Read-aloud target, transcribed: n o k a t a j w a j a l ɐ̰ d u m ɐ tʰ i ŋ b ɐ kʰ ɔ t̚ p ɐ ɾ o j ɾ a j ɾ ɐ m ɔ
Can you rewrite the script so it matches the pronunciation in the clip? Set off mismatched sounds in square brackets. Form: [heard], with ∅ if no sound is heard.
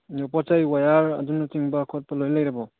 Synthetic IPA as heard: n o [p] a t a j w a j a [ɾ] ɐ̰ d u [n] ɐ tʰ i ŋ b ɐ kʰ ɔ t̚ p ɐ [l] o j [l] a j ɾ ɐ [b] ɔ